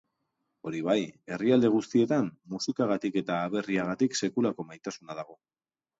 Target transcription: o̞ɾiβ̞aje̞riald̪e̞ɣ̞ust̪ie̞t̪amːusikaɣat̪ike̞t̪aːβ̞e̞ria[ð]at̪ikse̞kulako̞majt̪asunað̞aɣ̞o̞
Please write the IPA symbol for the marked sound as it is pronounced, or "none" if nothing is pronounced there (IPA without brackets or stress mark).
ɣ